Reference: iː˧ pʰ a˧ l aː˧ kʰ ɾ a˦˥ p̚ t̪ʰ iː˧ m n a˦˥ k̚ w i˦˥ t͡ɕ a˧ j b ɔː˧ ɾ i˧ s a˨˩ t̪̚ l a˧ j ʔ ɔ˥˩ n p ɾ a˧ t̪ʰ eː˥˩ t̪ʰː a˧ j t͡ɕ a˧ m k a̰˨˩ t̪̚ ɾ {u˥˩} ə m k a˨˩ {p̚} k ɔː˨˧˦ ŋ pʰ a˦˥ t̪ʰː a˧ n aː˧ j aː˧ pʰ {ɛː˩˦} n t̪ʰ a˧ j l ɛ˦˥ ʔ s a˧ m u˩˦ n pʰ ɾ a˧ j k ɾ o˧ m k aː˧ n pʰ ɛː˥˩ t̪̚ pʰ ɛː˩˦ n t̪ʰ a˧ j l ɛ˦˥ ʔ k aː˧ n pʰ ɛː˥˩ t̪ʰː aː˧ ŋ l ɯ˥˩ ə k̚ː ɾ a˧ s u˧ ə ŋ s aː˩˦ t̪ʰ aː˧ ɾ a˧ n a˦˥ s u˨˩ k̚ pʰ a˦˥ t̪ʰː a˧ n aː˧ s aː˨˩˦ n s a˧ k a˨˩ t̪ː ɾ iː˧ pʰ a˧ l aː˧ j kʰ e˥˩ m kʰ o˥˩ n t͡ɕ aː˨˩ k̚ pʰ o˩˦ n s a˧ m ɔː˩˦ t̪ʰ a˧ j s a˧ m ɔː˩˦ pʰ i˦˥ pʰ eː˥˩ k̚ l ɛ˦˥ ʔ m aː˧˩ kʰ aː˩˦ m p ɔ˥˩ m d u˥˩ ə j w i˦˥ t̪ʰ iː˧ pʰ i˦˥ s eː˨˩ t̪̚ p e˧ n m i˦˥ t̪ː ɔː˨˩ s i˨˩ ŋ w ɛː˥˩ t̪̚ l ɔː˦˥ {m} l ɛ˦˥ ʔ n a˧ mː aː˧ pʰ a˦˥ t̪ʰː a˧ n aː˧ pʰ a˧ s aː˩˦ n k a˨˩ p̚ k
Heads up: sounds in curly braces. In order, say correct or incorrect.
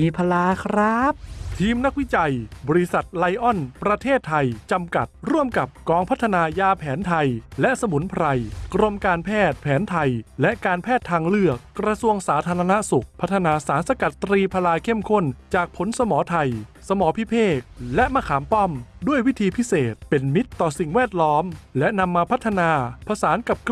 correct, correct, correct, correct

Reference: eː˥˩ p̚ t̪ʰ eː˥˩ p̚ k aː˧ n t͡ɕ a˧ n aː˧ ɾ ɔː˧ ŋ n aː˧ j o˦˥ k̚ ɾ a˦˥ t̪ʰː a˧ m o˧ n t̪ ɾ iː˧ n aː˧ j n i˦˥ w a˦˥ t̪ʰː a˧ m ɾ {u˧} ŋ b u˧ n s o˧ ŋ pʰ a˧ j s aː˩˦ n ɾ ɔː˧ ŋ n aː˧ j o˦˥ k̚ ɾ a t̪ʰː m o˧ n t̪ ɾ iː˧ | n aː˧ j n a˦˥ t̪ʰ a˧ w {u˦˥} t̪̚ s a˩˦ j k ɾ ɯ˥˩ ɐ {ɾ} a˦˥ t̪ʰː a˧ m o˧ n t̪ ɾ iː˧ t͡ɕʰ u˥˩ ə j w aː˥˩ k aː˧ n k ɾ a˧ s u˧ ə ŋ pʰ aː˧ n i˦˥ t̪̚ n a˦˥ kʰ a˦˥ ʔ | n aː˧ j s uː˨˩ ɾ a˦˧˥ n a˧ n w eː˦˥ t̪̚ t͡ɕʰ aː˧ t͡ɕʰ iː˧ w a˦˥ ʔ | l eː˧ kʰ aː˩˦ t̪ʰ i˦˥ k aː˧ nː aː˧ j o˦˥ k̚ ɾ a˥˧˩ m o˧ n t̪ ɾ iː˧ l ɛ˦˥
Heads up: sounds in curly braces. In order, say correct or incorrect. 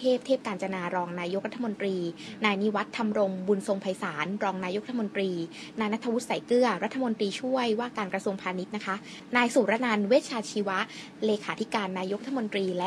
incorrect, correct, correct

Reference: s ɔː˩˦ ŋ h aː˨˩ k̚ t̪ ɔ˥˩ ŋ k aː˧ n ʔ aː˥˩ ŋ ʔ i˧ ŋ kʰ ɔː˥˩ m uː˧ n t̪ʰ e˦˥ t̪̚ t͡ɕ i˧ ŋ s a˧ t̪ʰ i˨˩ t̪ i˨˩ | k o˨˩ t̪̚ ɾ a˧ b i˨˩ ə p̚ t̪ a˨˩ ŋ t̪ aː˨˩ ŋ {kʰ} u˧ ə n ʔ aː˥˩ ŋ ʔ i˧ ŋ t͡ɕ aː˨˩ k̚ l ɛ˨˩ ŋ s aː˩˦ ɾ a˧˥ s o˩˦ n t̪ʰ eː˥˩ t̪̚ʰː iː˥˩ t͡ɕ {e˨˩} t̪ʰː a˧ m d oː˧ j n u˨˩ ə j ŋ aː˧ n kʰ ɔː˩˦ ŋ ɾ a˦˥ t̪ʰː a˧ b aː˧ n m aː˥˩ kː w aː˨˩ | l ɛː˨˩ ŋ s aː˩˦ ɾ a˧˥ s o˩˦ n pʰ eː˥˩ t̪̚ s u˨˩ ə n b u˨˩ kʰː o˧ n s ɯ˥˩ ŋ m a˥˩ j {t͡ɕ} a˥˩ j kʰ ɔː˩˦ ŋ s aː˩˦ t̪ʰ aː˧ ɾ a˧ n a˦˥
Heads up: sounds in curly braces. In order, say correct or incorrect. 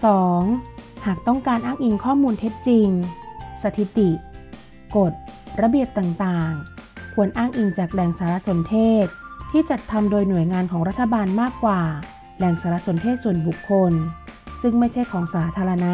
correct, incorrect, incorrect

